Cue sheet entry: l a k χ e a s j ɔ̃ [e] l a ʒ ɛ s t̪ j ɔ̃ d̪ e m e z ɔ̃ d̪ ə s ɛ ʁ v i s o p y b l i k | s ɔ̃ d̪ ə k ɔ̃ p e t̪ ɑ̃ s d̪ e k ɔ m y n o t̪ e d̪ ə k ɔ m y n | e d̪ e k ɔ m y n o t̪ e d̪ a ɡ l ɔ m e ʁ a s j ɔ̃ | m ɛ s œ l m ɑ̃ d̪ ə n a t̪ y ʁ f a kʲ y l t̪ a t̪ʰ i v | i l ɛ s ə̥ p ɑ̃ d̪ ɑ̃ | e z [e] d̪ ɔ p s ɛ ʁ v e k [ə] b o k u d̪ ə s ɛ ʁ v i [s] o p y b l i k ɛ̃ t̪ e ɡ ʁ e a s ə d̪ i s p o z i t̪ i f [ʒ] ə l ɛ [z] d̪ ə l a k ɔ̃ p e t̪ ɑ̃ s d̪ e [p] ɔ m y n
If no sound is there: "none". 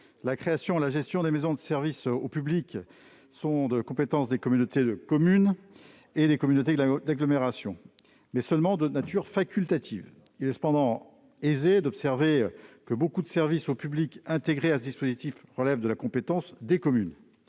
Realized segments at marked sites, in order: e, e, ə, s, ʁ, v, k

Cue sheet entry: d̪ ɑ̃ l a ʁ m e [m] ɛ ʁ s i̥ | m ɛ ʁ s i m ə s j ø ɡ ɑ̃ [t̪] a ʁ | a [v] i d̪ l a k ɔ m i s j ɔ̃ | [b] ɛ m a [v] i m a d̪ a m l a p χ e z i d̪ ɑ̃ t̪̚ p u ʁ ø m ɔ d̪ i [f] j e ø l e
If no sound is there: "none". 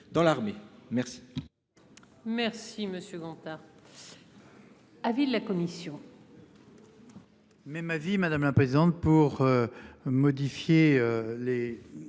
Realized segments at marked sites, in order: m, t̪, v, m, v, f

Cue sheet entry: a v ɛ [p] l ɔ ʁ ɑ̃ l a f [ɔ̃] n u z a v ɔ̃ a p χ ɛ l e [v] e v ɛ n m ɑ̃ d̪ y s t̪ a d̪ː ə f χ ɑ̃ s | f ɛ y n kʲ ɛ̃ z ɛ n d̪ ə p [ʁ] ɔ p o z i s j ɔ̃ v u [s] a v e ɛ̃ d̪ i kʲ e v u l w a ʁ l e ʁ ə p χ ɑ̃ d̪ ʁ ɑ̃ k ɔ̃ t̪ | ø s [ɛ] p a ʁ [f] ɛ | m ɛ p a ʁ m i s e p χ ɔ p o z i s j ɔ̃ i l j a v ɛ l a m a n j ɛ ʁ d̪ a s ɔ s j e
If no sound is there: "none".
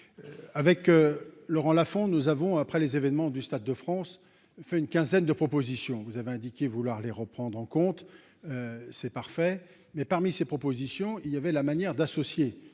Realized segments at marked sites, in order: k, ɔ̃, z, χ, z, ɛ, f

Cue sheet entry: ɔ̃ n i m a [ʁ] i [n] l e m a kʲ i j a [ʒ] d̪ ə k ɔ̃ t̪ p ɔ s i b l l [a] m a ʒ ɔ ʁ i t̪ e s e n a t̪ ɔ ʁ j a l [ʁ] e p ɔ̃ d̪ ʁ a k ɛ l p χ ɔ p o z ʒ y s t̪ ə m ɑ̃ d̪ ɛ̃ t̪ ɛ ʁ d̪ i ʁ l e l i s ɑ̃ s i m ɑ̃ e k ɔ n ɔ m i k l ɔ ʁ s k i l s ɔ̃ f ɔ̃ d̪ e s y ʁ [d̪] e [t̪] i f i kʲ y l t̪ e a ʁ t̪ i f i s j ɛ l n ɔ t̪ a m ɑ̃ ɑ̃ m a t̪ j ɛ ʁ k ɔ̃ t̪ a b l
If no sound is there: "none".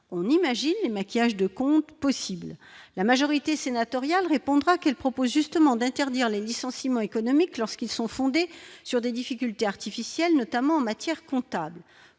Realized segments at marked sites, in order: ʒ, n, ʒ, a, ʁ, d̪, d̪

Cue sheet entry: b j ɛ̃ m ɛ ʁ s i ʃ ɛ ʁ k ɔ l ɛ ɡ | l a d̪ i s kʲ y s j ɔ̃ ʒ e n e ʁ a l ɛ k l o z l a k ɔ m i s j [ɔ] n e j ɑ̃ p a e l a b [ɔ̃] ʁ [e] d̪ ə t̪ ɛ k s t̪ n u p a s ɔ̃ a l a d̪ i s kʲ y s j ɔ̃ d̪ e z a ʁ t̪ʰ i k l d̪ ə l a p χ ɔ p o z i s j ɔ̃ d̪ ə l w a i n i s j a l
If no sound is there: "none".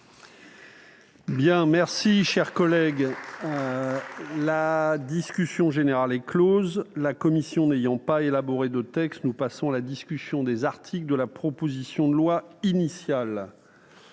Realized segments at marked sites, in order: ɔ̃, ɔ, e

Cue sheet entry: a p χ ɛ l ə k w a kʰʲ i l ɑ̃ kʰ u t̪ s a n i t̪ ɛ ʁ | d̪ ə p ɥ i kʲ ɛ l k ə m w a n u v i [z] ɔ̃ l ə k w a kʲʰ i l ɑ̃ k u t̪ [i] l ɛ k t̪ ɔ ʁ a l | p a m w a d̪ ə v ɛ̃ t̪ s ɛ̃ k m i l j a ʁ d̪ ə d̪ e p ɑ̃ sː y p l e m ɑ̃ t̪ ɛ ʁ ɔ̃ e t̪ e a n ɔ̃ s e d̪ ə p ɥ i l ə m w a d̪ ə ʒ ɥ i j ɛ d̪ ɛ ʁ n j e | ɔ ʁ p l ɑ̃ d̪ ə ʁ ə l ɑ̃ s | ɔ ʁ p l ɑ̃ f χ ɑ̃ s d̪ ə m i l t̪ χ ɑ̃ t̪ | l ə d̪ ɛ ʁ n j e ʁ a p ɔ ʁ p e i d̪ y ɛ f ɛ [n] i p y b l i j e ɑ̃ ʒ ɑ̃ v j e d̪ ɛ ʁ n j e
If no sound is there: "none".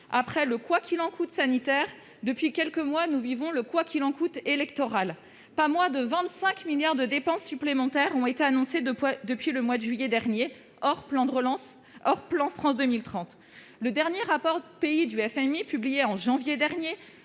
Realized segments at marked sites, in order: v, e, m

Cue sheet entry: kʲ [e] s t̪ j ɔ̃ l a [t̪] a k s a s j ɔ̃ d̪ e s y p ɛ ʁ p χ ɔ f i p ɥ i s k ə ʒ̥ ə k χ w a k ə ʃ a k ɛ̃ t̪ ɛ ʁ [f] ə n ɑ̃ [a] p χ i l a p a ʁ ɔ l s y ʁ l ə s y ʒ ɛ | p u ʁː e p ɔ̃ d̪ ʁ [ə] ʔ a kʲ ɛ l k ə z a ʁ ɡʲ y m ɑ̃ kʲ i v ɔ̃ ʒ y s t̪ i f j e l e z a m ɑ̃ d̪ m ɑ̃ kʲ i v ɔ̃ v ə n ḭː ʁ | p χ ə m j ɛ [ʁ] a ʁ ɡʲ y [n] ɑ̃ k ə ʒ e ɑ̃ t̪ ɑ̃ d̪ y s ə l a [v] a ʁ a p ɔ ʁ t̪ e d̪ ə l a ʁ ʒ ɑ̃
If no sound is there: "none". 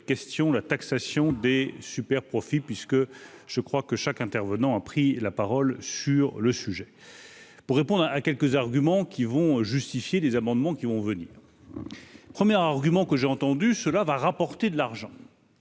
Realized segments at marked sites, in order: ɛ, t̪, v, a, a, ʁ, m, v

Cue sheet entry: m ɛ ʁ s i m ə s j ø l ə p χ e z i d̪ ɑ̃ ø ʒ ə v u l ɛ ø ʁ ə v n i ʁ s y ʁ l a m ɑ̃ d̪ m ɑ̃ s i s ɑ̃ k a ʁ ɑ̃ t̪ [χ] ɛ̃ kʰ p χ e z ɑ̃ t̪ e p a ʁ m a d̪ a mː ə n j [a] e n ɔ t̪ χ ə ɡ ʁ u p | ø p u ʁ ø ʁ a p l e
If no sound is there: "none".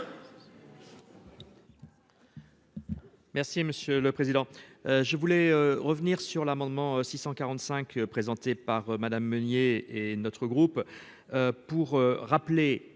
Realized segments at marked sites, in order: s, e

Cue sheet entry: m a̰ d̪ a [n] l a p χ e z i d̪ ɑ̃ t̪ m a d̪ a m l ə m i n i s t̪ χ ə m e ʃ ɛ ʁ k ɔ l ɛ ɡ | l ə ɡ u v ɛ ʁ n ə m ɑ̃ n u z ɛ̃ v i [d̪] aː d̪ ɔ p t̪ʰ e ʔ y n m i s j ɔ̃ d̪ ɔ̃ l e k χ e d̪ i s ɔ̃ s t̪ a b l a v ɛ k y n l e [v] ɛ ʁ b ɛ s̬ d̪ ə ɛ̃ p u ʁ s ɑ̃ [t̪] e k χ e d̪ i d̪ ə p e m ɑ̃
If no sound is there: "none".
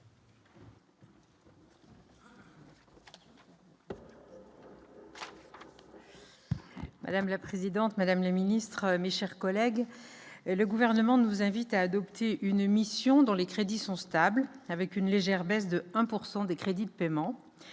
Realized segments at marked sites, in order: m, t̪, ʒ, d̪

